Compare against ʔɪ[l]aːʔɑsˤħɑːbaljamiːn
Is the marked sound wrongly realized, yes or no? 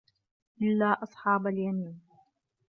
yes